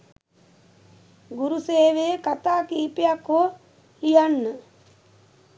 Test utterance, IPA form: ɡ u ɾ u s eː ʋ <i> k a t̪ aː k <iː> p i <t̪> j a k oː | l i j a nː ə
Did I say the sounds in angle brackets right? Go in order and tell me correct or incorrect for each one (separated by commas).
incorrect, correct, incorrect